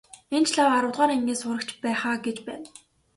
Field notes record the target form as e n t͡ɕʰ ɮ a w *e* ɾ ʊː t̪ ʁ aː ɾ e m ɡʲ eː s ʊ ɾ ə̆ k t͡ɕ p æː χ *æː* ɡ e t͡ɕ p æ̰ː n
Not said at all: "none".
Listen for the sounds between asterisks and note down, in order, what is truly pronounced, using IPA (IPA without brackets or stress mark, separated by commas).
a, aː